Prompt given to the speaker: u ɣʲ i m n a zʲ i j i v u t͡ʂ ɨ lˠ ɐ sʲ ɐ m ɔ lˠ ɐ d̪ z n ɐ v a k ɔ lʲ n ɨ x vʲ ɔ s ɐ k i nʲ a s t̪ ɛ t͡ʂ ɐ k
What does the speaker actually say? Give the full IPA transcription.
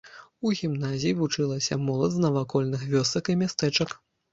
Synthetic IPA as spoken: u ɣʲ i m n a zʲ i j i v u t͡ʂ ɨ lˠ ɐ sʲ ɐ m ɔ lˠ ɐ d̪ z n ɐ v a k ɔ lʲ n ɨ x vʲ ɔ s ɐ k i mʲ a s t̪ ɛ t͡ʂ ɐ k